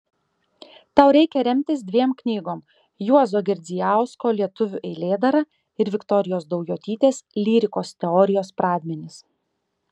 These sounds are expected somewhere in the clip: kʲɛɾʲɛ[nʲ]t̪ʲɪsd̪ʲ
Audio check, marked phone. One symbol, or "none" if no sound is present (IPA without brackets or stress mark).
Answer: mʲ